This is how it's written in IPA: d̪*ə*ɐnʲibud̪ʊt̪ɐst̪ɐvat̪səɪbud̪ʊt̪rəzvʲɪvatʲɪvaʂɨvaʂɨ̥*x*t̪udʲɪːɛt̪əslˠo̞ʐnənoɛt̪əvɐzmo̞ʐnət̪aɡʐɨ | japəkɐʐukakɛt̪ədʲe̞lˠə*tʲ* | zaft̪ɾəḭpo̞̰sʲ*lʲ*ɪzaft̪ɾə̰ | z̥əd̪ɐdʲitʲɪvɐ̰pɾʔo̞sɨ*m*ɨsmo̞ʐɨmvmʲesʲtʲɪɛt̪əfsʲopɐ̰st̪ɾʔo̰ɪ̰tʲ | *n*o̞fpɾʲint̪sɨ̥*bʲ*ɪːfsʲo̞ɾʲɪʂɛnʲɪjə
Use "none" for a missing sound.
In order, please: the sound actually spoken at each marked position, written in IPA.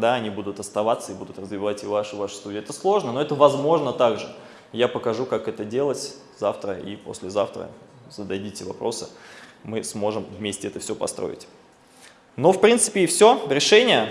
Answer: a, s, tʲ, lʲ, m, n, pʲ

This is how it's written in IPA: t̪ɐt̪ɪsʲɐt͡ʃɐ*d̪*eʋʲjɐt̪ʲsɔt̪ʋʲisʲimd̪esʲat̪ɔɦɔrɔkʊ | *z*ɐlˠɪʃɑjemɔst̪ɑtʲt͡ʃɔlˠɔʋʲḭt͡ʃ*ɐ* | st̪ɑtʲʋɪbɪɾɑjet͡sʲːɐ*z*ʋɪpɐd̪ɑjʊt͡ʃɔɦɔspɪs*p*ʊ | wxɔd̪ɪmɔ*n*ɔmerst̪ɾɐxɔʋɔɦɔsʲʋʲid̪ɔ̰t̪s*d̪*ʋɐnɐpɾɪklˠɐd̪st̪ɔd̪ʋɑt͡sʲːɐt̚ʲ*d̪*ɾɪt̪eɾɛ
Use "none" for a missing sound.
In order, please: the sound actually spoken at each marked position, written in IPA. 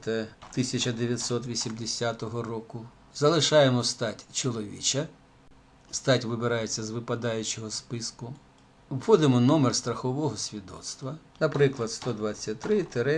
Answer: d̪, z, ɐ, z, k, n, t̪, t̪

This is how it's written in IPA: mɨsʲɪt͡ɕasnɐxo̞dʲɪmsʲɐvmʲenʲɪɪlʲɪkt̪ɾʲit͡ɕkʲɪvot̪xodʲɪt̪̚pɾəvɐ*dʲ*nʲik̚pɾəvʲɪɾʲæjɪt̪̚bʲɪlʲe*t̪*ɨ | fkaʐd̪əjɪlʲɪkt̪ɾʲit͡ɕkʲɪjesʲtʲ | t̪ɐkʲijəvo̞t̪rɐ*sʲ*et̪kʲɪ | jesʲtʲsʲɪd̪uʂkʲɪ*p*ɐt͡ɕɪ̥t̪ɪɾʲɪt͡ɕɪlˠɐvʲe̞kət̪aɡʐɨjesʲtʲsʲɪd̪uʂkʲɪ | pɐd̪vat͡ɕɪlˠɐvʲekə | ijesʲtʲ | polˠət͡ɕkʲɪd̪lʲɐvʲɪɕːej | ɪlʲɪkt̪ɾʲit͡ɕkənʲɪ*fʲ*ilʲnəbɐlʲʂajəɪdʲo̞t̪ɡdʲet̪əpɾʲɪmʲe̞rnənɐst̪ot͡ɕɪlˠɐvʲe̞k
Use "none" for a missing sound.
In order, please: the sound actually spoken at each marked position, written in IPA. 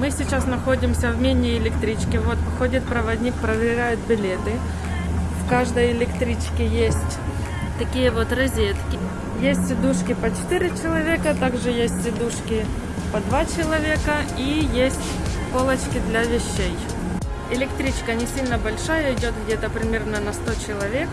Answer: dʲ, t̪, zʲ, p, sʲ

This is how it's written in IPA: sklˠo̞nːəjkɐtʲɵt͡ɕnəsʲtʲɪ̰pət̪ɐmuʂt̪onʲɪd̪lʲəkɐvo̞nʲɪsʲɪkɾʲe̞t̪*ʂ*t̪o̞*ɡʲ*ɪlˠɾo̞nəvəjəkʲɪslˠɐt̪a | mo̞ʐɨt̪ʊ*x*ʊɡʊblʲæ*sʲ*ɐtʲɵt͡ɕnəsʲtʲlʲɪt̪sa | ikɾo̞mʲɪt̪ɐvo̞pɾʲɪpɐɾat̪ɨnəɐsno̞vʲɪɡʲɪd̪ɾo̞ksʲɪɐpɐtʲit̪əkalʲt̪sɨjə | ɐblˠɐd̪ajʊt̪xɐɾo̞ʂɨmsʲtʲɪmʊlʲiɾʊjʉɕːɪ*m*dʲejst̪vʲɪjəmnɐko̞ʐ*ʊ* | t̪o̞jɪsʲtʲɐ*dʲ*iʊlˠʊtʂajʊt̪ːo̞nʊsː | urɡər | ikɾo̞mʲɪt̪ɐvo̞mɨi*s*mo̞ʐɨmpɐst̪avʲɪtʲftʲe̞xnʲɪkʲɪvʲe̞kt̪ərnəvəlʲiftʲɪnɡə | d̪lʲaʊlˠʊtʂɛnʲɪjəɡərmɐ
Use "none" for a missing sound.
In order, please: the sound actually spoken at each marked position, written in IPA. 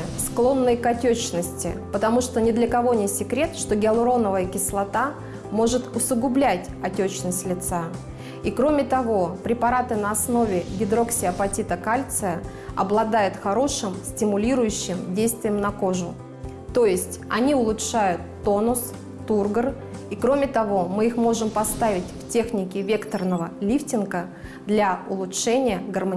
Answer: ʂ, ɡʲ, s, tʲ, m, ʊ, nʲ, x

